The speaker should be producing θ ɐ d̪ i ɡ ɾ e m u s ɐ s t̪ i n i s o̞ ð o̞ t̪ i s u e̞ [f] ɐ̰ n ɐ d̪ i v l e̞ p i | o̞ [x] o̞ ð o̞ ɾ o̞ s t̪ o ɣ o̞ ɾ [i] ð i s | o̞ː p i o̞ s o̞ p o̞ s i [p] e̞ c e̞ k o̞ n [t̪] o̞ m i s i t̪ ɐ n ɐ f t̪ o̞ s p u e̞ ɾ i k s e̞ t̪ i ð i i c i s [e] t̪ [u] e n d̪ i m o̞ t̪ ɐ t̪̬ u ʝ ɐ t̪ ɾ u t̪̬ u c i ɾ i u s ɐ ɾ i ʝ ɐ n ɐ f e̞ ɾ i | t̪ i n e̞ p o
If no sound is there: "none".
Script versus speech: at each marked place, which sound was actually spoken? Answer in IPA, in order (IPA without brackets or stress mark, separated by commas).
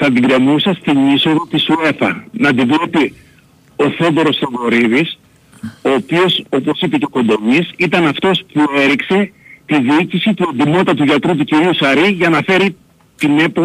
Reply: f, θ, i, p, d̪, i, u